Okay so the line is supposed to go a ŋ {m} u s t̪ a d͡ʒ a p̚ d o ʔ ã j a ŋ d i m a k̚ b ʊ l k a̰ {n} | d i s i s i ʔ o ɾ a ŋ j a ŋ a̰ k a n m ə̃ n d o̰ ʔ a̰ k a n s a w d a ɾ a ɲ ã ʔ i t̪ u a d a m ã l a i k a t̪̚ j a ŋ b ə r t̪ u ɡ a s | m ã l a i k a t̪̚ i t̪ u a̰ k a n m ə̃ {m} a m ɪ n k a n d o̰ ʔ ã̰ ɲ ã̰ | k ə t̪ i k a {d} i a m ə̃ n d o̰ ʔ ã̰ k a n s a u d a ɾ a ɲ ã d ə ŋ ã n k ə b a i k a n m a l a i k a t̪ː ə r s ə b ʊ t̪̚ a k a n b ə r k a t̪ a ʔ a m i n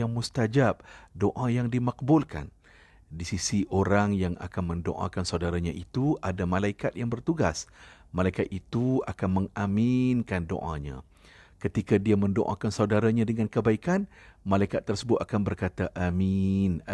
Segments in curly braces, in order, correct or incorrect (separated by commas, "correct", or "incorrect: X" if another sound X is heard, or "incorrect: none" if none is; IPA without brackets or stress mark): correct, correct, incorrect: ŋ, correct